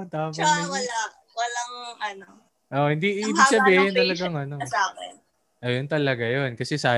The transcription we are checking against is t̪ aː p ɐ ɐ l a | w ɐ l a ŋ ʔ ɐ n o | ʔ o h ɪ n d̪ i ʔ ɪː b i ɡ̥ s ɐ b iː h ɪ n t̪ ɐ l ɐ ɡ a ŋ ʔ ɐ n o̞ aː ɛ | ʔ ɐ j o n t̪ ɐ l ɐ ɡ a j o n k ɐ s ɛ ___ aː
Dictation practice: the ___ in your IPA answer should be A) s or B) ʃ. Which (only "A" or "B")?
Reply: A